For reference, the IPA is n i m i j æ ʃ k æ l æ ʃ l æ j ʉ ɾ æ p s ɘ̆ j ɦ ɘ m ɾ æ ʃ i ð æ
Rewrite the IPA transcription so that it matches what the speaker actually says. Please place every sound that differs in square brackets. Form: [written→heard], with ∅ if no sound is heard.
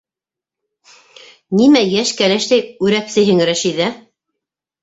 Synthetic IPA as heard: n i m [i→æ] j æ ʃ k æ l æ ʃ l æ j ʉ ɾ æ p s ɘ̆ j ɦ ɘ [m→ŋ] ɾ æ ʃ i ð æ